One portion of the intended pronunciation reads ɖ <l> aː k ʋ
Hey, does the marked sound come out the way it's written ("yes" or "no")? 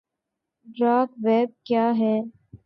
no